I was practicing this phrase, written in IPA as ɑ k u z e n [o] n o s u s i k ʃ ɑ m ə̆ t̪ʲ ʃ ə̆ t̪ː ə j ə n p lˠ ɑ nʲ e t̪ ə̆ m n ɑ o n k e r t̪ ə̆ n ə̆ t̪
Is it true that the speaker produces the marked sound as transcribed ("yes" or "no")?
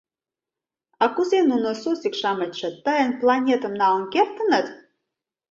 no